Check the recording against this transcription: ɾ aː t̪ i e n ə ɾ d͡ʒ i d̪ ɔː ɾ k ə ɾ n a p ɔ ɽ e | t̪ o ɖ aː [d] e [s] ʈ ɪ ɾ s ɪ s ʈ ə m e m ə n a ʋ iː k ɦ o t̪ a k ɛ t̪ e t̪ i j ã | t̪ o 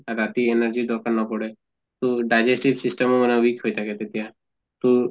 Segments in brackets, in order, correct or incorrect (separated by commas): incorrect, correct